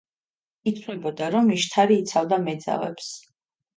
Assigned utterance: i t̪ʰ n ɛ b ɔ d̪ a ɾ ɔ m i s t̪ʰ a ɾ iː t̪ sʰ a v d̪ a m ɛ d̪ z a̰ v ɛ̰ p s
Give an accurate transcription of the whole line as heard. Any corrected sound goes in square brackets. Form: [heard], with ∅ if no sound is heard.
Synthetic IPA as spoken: i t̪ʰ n ɛ b ɔ d̪ a ɾ ɔ m i [ʃ] t̪ʰ a ɾ iː t̪ sʰ a v d̪ a m ɛ d̪ z a̰ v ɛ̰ p s